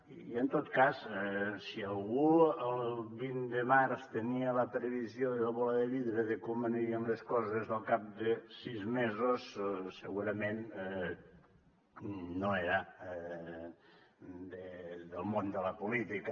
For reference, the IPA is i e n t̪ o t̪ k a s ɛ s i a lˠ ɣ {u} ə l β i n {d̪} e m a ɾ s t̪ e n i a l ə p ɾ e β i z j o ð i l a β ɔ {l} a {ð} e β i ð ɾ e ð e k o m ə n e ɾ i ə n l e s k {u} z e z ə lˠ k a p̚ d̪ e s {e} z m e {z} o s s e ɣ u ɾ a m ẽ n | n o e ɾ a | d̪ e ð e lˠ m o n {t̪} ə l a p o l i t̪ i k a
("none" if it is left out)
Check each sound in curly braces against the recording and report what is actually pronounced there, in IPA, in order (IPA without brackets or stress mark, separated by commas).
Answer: u, d̪, l, ð, ɔ, i, z, d̪